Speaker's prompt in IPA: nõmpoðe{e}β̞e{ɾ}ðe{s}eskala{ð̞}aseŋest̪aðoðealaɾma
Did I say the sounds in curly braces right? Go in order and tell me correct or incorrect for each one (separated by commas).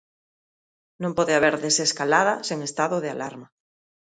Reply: incorrect, correct, correct, correct